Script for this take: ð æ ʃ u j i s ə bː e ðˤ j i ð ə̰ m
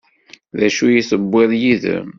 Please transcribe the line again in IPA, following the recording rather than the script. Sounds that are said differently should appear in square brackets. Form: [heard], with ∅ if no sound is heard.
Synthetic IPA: ð æ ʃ u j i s ə bː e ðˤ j i ð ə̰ m